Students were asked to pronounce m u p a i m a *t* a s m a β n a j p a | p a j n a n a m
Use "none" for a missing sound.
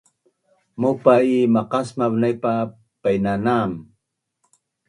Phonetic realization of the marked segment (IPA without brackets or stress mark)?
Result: q